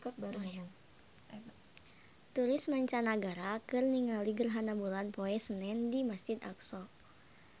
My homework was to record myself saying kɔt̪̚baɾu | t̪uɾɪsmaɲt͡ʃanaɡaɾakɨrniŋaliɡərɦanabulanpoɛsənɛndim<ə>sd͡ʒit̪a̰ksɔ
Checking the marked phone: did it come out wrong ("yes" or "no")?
yes